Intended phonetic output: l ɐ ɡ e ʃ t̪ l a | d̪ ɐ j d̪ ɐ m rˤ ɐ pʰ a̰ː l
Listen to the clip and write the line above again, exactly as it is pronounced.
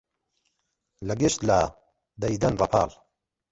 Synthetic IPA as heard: l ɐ ɡ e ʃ t̪ l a | d̪ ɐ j d̪ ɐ n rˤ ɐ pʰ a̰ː l